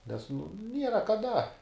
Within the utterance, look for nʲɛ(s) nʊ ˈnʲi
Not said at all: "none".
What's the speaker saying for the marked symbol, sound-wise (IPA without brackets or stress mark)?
s